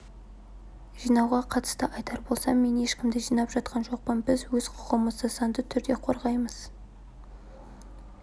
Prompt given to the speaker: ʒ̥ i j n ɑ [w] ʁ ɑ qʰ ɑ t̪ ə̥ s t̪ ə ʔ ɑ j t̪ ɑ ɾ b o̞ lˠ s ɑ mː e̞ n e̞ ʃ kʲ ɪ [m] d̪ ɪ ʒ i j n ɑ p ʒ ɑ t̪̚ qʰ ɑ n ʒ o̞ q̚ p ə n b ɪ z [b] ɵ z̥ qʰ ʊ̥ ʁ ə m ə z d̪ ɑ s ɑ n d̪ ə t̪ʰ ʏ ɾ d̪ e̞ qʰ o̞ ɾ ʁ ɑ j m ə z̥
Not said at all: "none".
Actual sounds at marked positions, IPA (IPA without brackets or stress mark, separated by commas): w, m, w